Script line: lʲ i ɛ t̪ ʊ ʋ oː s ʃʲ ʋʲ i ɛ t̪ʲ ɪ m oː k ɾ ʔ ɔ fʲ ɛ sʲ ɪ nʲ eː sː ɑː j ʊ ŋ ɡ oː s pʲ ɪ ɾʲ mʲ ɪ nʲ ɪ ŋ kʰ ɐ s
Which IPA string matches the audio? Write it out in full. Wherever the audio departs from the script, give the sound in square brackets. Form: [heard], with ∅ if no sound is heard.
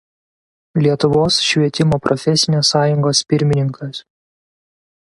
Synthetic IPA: lʲ i ɛ t̪ ʊ ʋ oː s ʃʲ ʋʲ i ɛ t̪ʲ ɪ m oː [p] ɾ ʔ ɔ fʲ ɛ sʲ ɪ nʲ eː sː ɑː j ʊ ŋ ɡ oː s pʲ ɪ ɾʲ mʲ ɪ nʲ ɪ ŋ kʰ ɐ s